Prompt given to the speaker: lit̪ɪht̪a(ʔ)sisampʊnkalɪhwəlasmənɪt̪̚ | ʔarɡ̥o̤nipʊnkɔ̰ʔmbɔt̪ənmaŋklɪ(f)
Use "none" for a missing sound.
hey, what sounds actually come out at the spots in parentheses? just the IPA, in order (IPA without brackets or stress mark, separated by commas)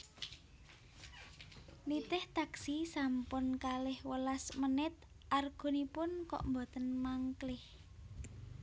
k, h